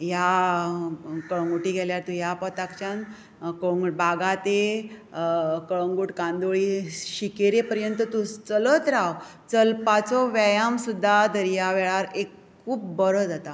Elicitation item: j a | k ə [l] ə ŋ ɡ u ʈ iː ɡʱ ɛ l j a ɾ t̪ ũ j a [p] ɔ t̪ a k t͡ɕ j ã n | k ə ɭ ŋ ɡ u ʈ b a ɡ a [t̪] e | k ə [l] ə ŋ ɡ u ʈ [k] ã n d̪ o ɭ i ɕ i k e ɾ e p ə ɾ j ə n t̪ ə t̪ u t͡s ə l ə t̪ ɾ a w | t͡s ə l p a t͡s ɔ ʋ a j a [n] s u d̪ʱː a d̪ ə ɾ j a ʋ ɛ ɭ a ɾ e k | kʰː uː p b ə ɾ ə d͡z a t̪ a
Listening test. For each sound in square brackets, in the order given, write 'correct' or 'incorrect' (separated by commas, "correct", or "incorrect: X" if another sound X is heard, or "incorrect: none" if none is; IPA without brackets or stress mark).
incorrect: ɭ, correct, correct, incorrect: ɭ, correct, incorrect: m